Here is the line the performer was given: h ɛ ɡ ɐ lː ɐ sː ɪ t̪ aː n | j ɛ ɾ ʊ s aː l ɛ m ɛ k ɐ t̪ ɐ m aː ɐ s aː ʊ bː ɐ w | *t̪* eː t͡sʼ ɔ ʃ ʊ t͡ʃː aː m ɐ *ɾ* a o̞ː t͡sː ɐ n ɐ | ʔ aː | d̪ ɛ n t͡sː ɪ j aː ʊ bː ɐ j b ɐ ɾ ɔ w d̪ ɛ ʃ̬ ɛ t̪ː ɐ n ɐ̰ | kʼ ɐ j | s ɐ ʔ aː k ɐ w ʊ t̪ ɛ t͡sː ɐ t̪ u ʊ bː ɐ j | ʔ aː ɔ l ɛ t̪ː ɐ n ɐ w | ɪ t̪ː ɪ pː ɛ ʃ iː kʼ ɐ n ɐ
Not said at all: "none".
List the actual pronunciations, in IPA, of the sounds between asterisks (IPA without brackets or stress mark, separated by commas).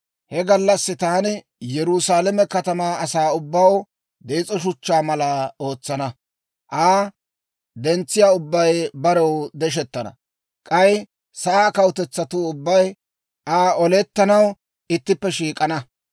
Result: d̪, l